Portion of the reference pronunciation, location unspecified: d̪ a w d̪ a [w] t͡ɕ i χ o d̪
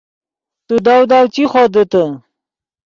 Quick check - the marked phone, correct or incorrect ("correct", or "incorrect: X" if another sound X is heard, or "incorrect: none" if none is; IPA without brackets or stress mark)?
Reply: correct